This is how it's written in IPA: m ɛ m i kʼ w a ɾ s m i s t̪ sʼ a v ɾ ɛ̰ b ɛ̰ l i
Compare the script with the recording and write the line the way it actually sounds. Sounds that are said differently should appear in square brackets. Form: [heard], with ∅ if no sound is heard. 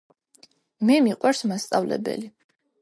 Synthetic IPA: m ɛ m i [qʼ] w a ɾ s m [a] s t̪ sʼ a v [l] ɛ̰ b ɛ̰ l i